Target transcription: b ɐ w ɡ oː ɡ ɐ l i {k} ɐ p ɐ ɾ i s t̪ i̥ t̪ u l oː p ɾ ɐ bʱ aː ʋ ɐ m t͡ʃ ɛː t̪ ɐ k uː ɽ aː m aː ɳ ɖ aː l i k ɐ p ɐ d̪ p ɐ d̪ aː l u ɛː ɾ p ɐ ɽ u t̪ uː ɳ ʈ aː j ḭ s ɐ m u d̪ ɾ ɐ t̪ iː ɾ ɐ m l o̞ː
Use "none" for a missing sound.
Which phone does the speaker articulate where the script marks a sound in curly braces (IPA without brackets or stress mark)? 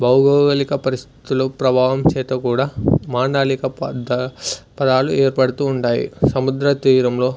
k